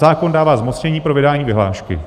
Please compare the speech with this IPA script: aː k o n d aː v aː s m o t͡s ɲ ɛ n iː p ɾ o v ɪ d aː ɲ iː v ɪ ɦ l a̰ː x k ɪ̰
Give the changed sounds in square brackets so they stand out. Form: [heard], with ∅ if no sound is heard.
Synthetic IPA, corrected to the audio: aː k o n d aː v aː [z] m o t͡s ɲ ɛ [ɲ] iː p ɾ o v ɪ d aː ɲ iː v ɪ ɦ l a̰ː [ʃ] k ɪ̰